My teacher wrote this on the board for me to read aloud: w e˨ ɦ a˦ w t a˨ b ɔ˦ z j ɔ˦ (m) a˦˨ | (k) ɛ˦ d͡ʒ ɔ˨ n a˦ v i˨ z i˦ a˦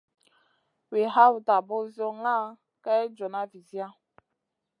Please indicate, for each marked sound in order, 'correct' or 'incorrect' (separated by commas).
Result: incorrect, correct